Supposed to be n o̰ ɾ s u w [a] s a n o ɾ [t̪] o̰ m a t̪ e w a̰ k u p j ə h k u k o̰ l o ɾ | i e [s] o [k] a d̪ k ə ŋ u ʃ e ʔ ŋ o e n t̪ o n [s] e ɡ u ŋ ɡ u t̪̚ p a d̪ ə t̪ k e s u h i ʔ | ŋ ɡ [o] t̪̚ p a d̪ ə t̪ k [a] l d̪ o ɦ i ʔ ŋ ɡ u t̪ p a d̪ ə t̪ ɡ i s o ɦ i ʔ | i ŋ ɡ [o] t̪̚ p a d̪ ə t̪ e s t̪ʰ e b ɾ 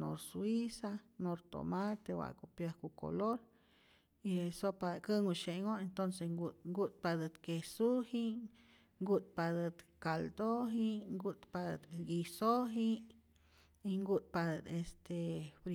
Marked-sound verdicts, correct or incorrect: incorrect, correct, correct, incorrect, correct, incorrect, correct, incorrect

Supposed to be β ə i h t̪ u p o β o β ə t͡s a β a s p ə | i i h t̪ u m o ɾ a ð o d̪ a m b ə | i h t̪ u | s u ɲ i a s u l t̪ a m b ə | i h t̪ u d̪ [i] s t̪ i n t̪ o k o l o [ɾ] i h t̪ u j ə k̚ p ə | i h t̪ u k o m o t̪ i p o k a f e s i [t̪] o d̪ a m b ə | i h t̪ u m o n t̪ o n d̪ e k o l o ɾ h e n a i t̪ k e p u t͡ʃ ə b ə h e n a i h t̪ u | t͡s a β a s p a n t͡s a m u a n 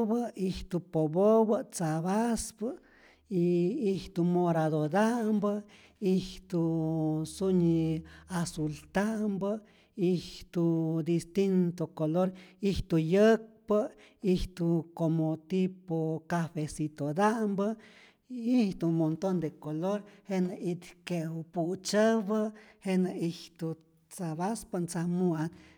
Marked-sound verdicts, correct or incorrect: correct, correct, correct

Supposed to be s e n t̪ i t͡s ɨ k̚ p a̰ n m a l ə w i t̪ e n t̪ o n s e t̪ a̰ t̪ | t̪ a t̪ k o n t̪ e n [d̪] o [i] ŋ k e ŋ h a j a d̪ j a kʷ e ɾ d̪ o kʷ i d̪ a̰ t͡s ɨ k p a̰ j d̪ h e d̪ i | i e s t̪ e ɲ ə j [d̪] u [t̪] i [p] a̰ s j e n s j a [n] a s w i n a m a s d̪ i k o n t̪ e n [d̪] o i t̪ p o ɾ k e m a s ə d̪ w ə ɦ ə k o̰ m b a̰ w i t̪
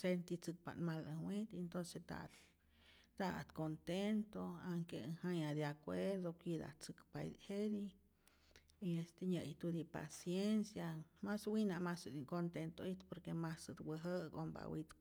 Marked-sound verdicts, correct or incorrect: incorrect, incorrect, incorrect, incorrect, correct, incorrect, incorrect

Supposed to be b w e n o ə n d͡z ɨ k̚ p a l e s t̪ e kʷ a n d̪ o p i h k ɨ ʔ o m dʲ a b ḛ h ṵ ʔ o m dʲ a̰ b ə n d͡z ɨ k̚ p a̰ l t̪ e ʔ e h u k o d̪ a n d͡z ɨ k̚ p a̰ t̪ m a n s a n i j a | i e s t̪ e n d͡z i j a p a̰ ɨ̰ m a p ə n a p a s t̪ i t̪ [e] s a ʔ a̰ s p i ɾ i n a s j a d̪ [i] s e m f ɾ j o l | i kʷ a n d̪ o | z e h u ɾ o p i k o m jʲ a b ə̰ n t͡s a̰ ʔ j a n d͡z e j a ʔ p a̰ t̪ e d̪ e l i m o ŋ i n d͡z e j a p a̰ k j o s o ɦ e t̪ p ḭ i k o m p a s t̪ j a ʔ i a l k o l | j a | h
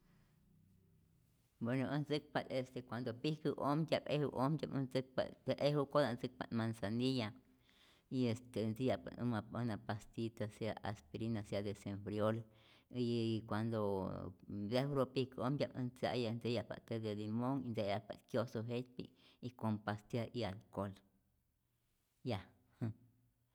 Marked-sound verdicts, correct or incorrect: incorrect, incorrect

